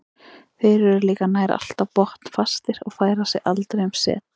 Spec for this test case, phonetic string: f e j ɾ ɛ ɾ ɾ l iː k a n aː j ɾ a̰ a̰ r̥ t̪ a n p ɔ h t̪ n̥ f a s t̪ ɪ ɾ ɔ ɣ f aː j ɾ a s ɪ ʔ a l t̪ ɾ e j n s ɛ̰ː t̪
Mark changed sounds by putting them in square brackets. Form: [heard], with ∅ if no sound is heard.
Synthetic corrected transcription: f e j ɾ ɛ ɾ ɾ l iː k a n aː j ɾ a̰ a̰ [l̥] t̪ a [∅] p ɔ h t̪ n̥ f a s t̪ ɪ ɾ ɔ ɣ f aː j ɾ a s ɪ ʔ a l t̪ ɾ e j [m] s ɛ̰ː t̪

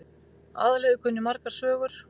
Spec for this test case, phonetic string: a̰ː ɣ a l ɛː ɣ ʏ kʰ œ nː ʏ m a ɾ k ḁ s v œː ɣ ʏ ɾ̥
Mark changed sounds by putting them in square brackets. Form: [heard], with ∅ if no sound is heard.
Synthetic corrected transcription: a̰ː [ð] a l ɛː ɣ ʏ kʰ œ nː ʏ m a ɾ k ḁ s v œː ɣ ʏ ɾ̥

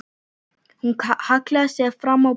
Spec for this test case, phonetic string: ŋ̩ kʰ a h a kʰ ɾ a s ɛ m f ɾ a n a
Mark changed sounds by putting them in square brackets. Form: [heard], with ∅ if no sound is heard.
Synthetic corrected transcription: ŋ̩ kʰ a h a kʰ [l] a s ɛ [∅] f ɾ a [m] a

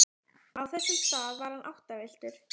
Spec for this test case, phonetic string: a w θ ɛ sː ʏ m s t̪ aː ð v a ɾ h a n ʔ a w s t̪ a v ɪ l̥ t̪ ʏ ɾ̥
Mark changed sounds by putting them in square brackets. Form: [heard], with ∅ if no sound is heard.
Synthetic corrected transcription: a w θ ɛ sː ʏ m s t̪ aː ð v a ɾ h a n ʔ a w [h] t̪ a v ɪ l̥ t̪ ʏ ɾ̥

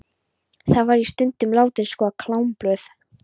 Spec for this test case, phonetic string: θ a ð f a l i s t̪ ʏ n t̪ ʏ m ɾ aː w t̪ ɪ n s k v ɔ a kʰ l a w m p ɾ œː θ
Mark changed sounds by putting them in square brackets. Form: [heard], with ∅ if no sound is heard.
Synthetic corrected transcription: θ a ð [v] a [ɾ] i s t̪ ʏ n t̪ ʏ m [l] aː w t̪ ɪ n s k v ɔ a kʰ l a w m p [l] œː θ

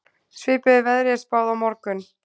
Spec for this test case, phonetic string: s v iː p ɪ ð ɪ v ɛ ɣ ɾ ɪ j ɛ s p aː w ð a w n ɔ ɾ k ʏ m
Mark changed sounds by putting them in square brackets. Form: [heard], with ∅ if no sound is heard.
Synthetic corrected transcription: s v [ɪː] p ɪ ð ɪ v ɛ [ð] ɾ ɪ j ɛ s p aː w ð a w [m] ɔ ɾ k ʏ [n]

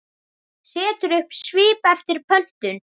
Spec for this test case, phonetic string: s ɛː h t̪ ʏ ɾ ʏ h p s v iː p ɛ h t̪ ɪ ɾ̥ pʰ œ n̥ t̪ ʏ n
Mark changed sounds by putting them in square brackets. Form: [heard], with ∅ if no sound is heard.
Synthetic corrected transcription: s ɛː [∅] t̪ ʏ ɾ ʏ h p s v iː p ɛ [f] t̪ ɪ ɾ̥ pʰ œ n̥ t̪ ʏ n

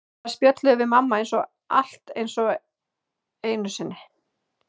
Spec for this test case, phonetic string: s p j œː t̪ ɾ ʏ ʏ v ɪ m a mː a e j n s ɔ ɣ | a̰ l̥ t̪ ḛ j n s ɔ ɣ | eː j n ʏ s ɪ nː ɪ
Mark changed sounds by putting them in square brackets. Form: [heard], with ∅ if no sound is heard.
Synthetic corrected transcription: s p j [œ] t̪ [l] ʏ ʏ v ɪ m a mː a e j n s ɔ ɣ | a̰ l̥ t̪ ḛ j n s ɔ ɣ | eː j n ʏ s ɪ nː ɪ

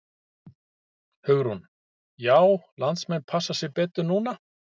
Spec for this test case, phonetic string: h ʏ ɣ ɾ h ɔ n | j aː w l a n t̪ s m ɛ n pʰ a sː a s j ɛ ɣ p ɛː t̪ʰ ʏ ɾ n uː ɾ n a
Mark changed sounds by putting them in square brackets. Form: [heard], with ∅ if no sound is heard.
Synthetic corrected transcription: h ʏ ɣ ɾ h [u] n | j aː w l a n t̪ s m ɛ n pʰ a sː a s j ɛ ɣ p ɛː [t̪] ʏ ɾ n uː [∅] n a

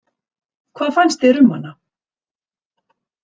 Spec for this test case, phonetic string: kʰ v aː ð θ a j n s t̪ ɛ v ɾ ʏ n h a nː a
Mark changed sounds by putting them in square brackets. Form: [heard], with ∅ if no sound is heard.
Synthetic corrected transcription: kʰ v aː ð [f] a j n s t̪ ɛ [∅] ɾ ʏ [m] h a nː a

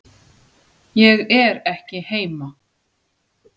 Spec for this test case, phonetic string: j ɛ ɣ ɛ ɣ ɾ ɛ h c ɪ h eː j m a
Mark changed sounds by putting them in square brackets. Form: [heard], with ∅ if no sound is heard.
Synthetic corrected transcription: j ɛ ɣ ɛ [∅] ɾ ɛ h c ɪ h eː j m a

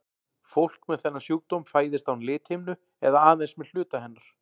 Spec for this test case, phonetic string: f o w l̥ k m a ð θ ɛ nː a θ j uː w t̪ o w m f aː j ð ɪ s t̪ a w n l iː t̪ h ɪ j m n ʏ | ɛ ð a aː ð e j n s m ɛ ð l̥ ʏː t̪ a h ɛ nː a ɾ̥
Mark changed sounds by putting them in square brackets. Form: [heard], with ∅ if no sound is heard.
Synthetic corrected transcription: f o w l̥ k m [ɛ] ð θ ɛ nː a [s] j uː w t̪ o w m f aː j ð ɪ s t̪ a w n l [ɪː] t̪ h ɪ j m n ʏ | ɛ ð a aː ð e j n s m ɛ ð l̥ ʏː t̪ a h ɛ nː a ɾ̥

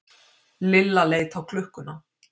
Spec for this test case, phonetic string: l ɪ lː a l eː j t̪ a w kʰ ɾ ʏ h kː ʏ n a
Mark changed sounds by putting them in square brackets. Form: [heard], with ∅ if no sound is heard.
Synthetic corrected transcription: l ɪ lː a l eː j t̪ a w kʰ [l] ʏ h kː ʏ n a

